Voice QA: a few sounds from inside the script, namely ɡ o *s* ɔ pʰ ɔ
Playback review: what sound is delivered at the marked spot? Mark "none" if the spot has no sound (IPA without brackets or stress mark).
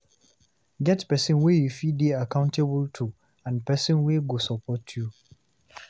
s